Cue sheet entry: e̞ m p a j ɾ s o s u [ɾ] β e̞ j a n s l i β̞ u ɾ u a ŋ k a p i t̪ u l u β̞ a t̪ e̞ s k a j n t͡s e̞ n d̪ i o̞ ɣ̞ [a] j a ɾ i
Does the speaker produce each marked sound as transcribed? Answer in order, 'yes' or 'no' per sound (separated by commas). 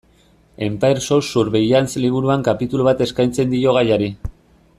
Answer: yes, yes